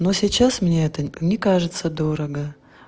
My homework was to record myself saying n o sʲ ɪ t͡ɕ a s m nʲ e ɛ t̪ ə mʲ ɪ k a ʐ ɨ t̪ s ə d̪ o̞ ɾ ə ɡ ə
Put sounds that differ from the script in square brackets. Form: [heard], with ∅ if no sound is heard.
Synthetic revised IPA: n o sʲ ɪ t͡ɕ a s m nʲ e ɛ t̪ ə [nʲ] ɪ k a ʐ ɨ t̪ s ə d̪ o̞ ɾ ə ɡ ə